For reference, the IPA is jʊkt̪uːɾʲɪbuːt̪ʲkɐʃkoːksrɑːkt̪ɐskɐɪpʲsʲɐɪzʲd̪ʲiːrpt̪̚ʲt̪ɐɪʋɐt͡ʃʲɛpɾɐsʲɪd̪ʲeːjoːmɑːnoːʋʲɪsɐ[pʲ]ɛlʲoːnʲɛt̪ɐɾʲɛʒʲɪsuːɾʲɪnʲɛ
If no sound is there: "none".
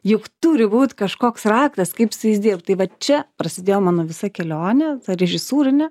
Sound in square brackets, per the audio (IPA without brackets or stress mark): kʲ